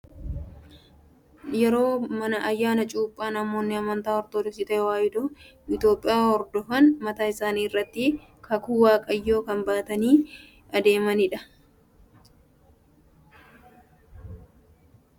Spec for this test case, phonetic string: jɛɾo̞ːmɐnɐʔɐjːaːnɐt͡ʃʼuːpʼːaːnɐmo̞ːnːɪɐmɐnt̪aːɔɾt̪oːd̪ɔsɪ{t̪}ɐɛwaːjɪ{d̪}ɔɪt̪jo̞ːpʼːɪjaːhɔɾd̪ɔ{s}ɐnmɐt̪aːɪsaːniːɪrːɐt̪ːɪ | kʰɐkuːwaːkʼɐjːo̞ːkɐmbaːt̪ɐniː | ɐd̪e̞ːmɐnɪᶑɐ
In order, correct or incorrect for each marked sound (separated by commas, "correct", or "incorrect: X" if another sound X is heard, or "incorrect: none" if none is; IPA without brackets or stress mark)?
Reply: correct, correct, incorrect: f